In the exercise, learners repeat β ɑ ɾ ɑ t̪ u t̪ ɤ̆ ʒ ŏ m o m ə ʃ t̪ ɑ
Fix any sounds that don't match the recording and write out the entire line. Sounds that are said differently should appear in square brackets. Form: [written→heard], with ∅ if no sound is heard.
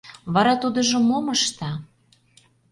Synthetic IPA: β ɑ ɾ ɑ t̪ u [t̪→d̪] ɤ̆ ʒ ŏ m o m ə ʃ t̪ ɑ